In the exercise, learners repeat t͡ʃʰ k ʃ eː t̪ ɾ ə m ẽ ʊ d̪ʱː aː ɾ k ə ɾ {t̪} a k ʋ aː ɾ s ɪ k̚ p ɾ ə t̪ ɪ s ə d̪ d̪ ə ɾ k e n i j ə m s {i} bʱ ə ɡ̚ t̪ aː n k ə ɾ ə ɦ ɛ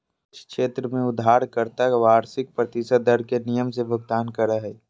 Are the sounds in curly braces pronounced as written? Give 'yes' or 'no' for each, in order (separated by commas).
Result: yes, no